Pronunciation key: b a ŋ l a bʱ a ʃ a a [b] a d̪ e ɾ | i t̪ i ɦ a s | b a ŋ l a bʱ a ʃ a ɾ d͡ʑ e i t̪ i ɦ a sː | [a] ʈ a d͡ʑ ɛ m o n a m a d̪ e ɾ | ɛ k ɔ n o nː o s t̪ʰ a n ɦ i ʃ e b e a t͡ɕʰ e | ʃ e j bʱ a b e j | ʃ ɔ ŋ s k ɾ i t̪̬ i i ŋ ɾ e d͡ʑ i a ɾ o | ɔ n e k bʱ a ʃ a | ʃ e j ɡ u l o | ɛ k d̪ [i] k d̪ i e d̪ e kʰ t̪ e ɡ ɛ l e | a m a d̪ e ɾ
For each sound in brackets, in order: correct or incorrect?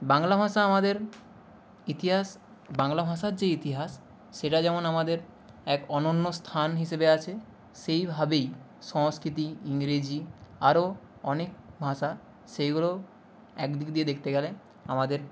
incorrect, incorrect, correct

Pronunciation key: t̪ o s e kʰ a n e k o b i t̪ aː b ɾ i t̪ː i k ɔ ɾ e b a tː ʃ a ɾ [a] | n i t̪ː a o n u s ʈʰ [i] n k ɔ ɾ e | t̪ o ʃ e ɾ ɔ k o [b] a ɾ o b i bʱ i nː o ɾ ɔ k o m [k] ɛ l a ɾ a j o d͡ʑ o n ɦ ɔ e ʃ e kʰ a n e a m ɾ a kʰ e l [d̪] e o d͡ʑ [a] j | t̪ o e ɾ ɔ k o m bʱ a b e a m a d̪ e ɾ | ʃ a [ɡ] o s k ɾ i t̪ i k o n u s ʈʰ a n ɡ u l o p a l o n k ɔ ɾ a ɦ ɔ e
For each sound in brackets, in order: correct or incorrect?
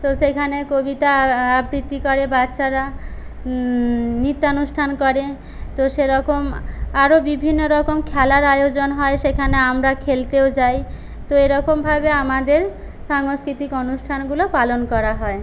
correct, incorrect, incorrect, incorrect, incorrect, correct, incorrect

